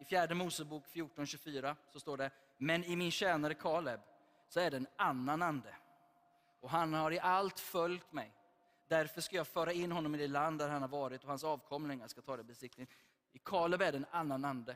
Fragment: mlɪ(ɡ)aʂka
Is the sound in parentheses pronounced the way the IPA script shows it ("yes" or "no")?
no